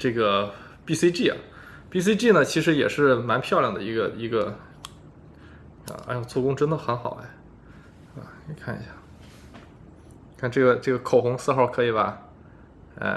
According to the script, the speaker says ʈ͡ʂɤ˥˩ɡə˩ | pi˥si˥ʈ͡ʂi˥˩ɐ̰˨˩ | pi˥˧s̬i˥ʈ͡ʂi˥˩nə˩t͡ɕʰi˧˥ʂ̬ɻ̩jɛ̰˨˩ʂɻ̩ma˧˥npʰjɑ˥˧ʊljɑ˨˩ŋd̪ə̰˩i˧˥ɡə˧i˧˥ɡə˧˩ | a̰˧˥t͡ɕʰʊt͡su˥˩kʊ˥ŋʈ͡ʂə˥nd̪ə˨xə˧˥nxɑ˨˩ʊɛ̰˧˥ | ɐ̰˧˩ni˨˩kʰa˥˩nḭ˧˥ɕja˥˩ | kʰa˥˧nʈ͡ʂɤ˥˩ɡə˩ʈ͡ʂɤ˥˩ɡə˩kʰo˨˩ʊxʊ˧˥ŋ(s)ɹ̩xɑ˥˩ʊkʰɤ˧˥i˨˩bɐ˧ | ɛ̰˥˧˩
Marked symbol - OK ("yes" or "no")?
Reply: yes